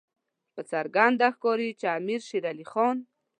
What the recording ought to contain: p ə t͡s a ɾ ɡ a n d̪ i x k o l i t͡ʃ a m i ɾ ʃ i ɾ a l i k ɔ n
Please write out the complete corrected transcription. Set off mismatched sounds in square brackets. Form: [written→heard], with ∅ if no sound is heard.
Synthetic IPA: p ə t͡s a ɾ ɡ a n d̪ [i→a] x k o [l→ɾ] i t͡ʃ a m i ɾ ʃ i ɾ a l i [k→x] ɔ n

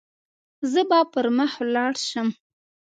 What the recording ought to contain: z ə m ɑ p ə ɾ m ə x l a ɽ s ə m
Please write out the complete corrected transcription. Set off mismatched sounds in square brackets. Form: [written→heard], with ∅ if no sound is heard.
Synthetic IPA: z ə [m→b] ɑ p ə ɾ m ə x l [a→ɑ] ɽ [s→ʃ] ə m

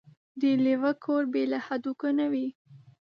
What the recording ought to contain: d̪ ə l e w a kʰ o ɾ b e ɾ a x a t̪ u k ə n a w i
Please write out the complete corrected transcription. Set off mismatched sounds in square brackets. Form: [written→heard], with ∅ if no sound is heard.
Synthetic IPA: d̪ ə l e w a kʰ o ɾ b e [ɾ→l] a [x→h] a [t̪→d̪] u k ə n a w i

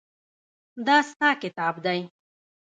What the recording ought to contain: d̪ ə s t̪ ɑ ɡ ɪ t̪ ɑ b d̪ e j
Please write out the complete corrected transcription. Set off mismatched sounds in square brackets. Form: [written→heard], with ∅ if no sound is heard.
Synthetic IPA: d̪ [ə→ɑ] s t̪ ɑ [ɡ→k] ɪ t̪ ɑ b d̪ [e→a] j

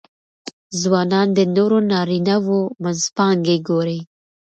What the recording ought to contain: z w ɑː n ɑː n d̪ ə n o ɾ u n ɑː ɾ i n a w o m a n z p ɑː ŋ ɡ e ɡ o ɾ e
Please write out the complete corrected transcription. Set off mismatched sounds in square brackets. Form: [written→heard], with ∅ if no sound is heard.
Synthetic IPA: z w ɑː n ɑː n d̪ ə n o ɾ [u→o] n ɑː ɾ i n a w o m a n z p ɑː ŋ ɡ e ɡ o ɾ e

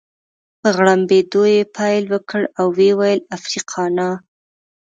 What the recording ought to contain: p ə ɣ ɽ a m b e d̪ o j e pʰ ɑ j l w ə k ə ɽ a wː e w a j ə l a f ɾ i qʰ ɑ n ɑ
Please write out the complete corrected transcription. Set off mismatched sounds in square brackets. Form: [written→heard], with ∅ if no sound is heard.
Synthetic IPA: p ə ɣ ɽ a m b e d̪ o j e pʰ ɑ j l w ə k ə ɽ a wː e w a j ə l a f ɾ i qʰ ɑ n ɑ

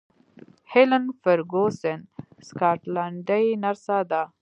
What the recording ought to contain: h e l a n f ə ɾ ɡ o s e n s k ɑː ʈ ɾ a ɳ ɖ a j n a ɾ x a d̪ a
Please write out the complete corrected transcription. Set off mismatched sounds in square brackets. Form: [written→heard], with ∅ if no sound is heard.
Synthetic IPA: h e l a n f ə ɾ ɡ o s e n s k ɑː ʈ [ɾ→l] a ɳ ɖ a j n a ɾ [x→s] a d̪ a

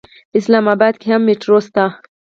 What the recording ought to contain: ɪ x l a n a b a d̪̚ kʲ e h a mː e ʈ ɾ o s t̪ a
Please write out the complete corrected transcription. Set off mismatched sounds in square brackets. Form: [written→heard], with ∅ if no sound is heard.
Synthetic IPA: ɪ [x→s] l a [n→m] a b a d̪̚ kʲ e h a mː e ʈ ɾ o s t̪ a

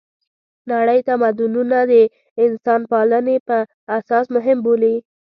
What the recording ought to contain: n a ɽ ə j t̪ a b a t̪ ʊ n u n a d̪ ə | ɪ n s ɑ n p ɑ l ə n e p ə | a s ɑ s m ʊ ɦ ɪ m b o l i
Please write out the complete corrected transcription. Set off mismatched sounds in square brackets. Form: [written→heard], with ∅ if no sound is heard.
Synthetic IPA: n a ɽ ə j t̪ a [b→m] a [t̪→d̪] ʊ n u n a d̪ ə | ɪ n s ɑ n p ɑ l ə n e p ə | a s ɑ s m ʊ ɦ ɪ m b o l i

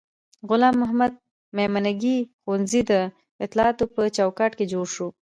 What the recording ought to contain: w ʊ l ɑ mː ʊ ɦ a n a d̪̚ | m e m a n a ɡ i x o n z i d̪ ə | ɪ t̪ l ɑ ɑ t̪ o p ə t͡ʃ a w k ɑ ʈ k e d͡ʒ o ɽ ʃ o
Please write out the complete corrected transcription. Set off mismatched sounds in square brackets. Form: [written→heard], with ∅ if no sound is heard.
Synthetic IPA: [w→ɣ] ʊ l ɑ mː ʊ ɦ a [n→m] a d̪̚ | m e m a n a ɡ i x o n z i d̪ ə | ɪ t̪ l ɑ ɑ t̪ o p ə t͡ʃ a w k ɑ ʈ k e d͡ʒ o ɽ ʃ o

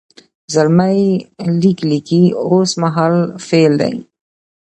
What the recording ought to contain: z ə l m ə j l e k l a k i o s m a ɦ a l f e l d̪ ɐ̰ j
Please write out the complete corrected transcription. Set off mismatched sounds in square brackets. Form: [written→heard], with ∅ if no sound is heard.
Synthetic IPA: z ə l m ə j l [e→i] k l [a→i] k i o s m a ɦ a l f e l d̪ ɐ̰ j

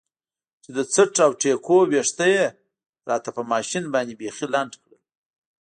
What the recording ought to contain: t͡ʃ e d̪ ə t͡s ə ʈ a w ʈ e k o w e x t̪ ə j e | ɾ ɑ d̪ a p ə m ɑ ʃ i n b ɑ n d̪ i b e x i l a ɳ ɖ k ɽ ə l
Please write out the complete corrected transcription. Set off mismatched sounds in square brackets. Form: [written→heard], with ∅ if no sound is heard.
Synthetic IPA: t͡ʃ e d̪ ə t͡s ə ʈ a w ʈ e k o w e [x→ʂ] t̪ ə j e | ɾ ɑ [d̪→t̪] a p ə m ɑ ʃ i n b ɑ n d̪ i b e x i l a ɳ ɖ k ɽ ə l

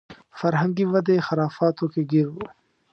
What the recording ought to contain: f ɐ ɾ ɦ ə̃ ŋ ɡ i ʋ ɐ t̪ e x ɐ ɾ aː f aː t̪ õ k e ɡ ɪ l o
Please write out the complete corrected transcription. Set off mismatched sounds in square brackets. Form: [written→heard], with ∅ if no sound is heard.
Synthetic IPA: f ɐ ɾ ɦ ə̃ ŋ ɡ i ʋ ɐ [t̪→d̪] e x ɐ ɾ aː f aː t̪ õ k e ɡ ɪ [l→ɾ] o

